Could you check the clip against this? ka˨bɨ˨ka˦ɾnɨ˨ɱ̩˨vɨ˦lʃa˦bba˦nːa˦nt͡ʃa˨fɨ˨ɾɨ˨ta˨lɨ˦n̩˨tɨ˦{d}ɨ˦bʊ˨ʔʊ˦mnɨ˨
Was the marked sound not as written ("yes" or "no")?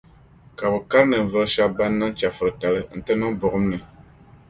yes